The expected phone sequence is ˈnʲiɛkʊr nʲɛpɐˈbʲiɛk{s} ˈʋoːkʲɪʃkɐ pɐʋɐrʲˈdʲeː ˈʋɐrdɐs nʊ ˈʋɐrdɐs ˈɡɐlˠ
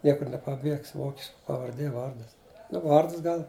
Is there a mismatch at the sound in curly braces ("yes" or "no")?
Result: no